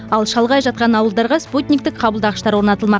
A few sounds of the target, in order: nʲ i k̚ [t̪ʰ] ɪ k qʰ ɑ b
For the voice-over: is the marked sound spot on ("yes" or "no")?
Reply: no